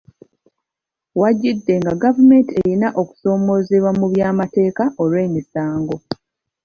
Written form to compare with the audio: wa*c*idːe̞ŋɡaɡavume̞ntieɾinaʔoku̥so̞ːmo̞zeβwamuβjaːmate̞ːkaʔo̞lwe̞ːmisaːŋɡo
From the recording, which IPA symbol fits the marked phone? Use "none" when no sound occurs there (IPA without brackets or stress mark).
ɟ